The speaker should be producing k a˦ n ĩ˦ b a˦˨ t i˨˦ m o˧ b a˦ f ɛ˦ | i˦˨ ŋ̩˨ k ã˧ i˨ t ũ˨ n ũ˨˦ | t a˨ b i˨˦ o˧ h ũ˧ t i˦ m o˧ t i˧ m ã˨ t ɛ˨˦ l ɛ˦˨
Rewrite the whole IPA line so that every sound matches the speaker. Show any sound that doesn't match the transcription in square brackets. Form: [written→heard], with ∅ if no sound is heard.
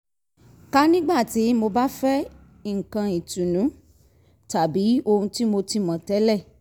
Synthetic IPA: k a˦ n ĩ˦ [b→ɡ͡b] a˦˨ t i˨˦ m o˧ b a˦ f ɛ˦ | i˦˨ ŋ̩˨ k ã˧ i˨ t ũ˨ n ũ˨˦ | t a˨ b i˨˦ o˧ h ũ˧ t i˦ m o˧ t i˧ m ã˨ t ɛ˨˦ l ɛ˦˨